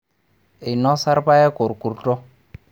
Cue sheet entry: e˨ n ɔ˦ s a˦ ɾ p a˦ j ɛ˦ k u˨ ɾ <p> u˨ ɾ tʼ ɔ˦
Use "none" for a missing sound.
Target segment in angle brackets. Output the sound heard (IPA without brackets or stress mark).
k